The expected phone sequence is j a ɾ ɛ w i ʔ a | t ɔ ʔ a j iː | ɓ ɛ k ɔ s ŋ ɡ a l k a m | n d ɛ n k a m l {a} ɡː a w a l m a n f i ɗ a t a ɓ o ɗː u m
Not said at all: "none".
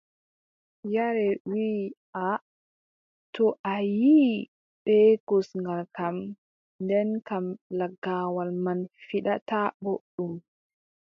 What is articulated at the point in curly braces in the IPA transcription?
a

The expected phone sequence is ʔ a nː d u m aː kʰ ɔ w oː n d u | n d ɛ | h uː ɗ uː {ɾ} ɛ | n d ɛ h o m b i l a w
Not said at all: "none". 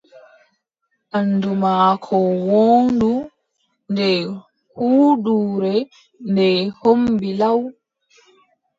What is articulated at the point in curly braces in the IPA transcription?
ɾ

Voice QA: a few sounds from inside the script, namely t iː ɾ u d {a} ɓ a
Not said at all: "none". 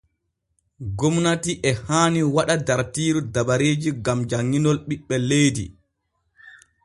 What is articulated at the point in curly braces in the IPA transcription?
a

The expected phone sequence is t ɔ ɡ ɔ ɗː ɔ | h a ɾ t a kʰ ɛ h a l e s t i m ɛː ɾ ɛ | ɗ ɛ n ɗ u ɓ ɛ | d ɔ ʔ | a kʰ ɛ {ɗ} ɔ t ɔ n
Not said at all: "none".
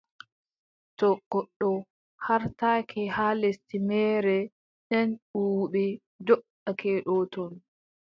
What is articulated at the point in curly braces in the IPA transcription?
ɗ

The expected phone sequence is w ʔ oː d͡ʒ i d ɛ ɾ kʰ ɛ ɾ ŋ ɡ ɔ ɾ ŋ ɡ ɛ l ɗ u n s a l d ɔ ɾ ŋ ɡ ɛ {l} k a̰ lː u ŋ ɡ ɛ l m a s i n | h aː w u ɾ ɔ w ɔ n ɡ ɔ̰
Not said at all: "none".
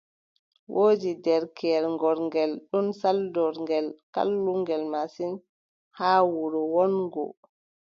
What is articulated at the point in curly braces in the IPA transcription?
l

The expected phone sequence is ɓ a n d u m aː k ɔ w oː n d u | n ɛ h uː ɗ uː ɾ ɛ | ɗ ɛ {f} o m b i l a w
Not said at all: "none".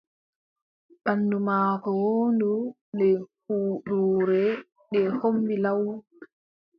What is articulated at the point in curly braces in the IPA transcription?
h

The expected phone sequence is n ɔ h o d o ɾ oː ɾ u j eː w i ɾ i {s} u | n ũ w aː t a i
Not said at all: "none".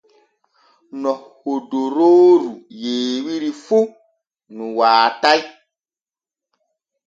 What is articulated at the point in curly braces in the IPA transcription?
f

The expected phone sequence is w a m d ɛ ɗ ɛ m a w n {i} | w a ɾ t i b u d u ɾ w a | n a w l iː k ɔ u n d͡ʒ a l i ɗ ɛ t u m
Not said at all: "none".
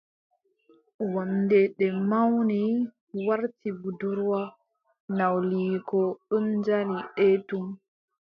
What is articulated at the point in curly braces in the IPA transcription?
i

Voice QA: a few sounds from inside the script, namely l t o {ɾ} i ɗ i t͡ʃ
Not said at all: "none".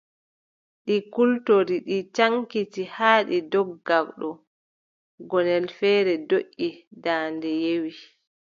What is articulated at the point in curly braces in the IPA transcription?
ɾ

